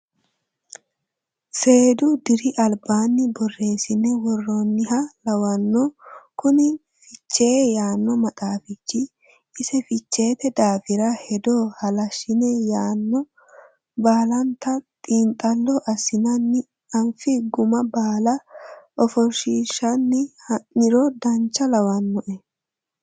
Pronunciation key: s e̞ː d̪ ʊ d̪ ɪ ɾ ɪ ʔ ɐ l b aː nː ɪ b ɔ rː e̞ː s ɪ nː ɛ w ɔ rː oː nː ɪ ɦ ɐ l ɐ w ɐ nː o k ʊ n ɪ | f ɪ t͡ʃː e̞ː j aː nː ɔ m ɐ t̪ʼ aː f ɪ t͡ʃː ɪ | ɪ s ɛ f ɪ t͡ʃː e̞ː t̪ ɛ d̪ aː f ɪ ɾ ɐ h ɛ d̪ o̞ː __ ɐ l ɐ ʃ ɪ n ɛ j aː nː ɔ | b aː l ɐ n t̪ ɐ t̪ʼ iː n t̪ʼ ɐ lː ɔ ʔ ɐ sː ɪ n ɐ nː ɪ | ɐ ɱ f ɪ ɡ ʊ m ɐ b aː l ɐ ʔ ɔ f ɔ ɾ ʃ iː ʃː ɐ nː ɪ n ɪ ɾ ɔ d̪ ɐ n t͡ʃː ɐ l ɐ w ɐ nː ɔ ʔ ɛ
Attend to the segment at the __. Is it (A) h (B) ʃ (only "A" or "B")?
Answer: A